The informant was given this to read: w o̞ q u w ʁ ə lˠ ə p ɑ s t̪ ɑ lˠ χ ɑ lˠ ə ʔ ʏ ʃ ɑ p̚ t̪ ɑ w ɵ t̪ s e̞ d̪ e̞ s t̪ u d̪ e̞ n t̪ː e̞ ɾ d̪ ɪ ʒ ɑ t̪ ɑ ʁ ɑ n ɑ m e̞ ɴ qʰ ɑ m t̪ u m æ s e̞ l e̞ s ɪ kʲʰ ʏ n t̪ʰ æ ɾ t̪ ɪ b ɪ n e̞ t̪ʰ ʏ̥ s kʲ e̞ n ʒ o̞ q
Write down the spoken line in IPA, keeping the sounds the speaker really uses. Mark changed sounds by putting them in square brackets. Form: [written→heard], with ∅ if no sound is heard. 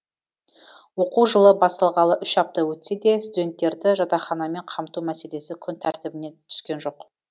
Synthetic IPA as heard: w o̞ q u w [ʁ→ʒ] ə lˠ ə [p→b] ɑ s t̪ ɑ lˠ [χ→ʁ] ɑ lˠ ə ʔ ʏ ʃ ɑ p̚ t̪ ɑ w ɵ t̪ s e̞ d̪ e̞ s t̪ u d̪ e̞ n t̪ː e̞ ɾ d̪ ɪ ʒ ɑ t̪ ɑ [ʁ→χ] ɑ n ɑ m e̞ ɴ qʰ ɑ m t̪ u m æ s e̞ l e̞ s ɪ kʲʰ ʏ n t̪ʰ æ ɾ t̪ ɪ b ɪ n e̞ t̪ʰ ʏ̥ s kʲ e̞ n ʒ o̞ q